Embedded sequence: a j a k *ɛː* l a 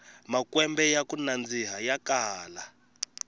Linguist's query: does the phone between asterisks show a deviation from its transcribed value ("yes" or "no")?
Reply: yes